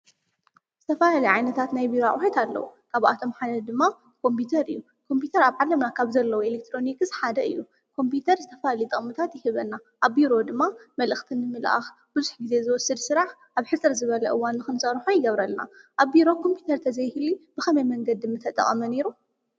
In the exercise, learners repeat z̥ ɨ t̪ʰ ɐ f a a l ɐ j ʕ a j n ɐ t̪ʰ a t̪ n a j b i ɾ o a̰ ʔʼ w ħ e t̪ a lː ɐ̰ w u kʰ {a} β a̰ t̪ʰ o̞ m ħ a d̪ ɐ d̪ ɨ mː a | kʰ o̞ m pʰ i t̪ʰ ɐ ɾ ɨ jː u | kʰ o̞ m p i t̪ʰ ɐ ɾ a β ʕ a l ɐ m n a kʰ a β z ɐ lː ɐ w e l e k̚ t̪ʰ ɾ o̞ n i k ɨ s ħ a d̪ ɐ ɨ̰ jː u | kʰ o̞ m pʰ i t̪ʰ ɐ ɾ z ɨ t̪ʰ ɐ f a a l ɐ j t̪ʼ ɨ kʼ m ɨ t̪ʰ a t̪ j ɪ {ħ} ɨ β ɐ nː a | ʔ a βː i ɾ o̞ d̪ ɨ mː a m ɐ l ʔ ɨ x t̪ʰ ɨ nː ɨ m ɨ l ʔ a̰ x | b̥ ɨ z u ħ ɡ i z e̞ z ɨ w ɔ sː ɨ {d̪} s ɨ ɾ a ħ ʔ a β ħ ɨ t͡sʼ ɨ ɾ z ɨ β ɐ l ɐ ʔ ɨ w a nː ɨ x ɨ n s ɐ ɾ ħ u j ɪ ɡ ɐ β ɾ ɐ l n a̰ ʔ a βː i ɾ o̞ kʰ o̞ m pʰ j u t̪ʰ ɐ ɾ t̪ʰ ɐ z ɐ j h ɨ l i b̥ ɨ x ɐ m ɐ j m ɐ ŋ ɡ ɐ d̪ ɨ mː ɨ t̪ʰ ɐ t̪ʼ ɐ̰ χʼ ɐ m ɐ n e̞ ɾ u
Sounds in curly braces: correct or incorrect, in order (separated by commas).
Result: correct, incorrect, correct